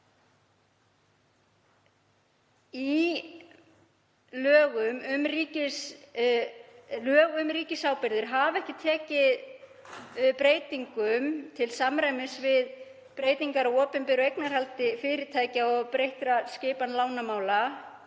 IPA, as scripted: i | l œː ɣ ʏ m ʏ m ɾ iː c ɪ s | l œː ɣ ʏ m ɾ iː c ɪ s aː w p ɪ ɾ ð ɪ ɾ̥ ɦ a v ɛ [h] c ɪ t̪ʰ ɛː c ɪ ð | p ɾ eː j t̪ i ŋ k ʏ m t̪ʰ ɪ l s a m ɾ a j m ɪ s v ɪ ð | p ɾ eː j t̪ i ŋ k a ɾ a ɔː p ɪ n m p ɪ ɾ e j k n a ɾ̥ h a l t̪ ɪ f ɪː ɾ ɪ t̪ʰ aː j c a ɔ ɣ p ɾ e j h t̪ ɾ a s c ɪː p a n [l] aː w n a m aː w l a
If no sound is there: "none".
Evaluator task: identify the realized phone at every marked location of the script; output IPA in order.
h, l

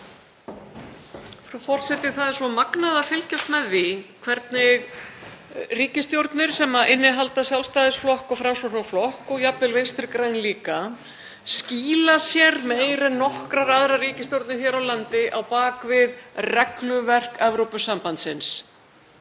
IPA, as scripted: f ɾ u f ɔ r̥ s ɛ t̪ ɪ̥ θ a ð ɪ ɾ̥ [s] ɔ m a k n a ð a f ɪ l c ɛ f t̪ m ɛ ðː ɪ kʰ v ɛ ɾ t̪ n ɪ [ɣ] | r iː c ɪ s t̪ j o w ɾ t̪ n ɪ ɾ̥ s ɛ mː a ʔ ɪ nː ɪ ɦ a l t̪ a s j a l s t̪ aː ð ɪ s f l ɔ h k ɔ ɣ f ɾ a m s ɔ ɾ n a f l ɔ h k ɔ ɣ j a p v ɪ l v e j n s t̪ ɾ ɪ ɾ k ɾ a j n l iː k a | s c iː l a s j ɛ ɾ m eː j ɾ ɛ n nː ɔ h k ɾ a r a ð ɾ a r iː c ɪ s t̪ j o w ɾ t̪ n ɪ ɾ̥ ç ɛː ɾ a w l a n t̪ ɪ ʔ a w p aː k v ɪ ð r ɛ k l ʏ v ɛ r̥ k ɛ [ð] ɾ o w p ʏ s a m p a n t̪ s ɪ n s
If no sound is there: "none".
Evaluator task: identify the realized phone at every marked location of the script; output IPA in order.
s, ɣ, v

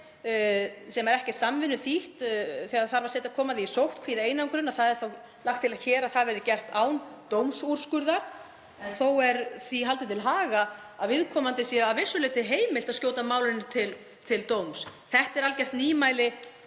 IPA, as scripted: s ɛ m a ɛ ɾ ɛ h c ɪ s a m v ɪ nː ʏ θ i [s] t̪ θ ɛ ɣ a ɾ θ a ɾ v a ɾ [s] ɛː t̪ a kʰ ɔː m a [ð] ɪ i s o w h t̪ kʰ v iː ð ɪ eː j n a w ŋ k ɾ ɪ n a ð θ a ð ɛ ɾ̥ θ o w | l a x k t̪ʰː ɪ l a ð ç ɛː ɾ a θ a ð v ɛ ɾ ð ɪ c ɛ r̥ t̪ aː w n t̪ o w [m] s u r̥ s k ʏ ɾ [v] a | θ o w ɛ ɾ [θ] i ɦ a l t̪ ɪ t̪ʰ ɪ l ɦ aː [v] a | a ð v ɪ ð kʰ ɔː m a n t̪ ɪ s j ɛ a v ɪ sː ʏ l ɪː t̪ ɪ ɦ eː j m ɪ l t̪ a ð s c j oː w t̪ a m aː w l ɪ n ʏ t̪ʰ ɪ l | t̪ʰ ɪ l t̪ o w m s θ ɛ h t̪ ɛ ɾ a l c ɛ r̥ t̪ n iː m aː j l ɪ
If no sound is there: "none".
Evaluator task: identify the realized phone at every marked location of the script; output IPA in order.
h, s, ð, m, ð, θ, ɣ

